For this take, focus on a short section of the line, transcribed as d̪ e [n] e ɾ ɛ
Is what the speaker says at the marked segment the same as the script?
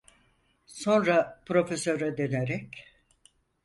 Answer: yes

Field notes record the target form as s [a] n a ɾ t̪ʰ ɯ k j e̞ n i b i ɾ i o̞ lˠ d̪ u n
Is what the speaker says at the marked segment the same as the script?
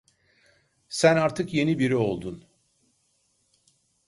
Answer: no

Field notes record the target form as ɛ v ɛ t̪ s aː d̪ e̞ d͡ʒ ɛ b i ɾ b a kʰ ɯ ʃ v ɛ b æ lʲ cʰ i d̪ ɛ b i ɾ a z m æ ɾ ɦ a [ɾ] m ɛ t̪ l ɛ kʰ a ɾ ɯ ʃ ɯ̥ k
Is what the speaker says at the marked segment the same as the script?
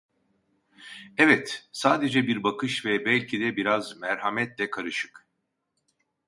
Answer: no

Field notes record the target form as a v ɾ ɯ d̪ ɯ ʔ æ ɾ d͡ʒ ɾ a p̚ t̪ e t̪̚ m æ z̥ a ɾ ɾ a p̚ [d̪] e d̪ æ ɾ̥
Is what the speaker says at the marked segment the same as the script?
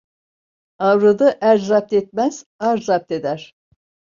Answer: no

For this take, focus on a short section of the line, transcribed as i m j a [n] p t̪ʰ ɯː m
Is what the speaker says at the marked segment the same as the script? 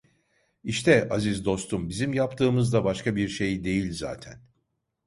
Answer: no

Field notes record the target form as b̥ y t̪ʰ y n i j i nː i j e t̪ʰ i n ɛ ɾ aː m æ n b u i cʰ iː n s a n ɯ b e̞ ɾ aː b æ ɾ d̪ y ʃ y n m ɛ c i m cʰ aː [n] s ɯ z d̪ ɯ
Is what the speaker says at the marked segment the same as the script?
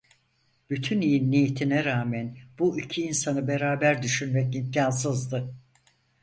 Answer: yes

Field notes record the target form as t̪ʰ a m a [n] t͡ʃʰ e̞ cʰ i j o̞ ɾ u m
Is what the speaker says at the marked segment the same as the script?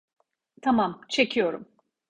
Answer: no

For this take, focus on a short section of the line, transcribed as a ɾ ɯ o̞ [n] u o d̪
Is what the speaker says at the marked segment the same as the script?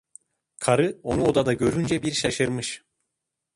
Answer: yes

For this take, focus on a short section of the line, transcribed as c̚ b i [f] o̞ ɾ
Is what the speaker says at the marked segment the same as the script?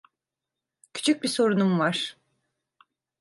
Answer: no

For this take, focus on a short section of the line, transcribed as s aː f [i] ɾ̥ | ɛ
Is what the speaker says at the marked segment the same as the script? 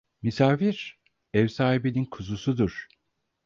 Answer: yes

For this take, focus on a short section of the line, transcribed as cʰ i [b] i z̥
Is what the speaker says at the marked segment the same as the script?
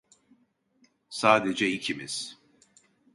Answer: no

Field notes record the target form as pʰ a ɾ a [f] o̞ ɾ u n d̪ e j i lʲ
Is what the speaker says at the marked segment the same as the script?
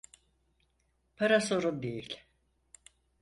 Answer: no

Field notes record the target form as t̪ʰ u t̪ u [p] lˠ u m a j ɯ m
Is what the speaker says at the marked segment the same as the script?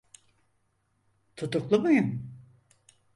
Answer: no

